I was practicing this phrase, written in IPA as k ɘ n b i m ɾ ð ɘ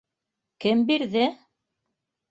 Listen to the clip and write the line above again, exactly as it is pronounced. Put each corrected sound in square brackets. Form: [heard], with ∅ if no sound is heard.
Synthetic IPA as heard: k ɘ [m] b i [∅] ɾ ð ɘ